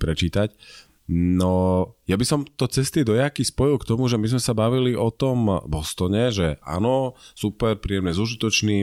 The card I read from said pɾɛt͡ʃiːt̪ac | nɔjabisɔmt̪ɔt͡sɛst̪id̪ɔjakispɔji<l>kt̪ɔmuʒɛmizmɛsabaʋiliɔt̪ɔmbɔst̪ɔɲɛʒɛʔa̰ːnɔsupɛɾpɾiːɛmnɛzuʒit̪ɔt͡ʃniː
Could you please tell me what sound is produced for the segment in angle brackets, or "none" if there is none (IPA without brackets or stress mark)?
l